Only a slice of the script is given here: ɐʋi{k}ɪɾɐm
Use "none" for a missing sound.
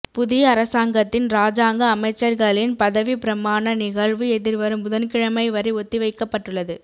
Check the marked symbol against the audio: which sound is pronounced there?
p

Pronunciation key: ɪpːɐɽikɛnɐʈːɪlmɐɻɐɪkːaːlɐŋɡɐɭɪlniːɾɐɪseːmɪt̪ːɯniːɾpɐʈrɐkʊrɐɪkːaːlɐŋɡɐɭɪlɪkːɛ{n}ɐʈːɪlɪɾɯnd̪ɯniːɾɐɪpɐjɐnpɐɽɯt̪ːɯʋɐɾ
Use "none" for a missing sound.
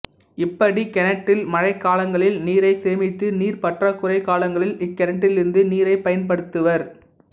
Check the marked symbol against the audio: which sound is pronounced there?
n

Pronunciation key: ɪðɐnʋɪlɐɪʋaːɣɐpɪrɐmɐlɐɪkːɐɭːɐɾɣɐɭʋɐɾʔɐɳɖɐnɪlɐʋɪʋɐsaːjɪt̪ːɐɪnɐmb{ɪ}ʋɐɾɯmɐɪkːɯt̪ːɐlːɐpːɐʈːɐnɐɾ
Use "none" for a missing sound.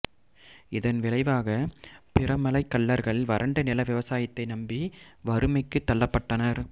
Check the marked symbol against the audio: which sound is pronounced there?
i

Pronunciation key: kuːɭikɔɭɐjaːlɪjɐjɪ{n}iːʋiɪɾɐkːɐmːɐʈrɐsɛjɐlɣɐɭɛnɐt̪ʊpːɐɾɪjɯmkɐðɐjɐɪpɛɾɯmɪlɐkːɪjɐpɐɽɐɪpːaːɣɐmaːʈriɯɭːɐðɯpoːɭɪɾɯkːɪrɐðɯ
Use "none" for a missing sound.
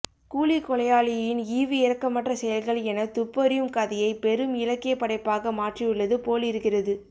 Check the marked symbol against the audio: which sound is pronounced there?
n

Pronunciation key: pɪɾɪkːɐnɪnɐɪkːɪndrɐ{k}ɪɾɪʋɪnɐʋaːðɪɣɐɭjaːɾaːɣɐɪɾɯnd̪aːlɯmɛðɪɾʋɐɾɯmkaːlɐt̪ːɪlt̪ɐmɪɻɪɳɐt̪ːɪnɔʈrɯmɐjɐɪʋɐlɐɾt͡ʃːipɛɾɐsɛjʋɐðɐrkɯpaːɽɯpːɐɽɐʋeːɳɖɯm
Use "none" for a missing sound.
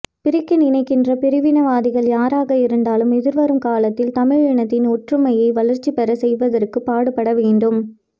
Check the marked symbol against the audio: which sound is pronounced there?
p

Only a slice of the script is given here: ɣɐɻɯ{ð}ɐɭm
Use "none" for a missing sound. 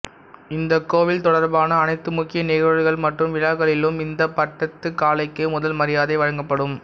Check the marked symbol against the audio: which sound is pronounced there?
ɣ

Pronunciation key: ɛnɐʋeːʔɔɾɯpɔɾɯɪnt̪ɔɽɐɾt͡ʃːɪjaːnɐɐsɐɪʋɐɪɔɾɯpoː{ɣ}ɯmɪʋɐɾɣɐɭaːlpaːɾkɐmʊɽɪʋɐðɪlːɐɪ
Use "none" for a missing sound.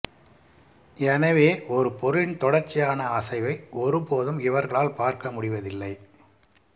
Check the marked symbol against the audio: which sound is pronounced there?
ð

